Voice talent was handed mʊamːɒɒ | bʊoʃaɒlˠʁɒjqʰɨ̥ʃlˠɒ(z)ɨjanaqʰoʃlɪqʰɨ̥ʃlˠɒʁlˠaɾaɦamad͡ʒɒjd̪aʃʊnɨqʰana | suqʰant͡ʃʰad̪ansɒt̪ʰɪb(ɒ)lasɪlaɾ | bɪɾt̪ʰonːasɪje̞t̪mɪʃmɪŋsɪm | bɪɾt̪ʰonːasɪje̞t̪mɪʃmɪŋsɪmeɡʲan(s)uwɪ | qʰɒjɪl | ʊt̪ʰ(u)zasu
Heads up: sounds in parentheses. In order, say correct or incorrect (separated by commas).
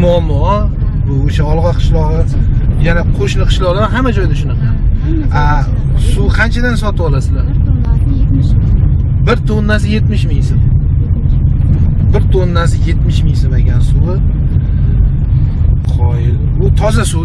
incorrect, correct, correct, incorrect